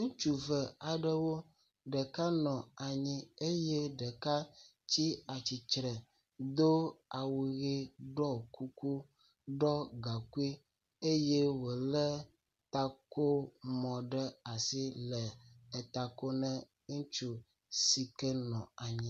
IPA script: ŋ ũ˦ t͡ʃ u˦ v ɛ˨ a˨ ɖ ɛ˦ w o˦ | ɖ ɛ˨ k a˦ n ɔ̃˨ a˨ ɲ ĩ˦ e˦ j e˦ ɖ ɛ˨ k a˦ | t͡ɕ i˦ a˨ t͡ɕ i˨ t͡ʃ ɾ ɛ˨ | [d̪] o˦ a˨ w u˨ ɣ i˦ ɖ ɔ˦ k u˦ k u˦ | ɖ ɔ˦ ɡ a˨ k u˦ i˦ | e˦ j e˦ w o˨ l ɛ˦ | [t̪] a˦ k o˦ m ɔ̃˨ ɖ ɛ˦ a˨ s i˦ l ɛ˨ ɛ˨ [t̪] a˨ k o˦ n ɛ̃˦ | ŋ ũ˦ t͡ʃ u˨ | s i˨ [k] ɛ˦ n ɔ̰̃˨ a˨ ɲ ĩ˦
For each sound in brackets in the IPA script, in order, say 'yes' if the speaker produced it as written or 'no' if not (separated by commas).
yes, yes, yes, yes